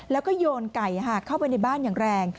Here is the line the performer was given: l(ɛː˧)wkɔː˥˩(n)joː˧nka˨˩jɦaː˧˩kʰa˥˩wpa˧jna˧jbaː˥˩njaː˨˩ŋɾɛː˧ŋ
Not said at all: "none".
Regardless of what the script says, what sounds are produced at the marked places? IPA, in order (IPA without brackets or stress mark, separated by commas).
ɛː˦˥, none